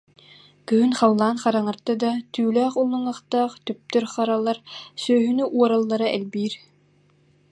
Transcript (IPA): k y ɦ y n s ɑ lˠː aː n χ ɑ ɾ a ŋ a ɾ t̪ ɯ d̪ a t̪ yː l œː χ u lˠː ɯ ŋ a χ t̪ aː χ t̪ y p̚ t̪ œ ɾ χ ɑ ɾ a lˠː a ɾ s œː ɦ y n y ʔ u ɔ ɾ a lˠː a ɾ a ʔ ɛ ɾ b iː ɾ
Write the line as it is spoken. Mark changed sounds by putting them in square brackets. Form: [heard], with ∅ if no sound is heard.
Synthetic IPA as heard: k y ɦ y n [χ] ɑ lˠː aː n χ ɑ ɾ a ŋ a ɾ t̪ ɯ d̪ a t̪ yː l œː χ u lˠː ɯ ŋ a χ t̪ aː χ t̪ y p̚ t̪ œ ɾ χ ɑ ɾ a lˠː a ɾ s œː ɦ y n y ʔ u ɔ ɾ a lˠː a ɾ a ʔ ɛ [l] b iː ɾ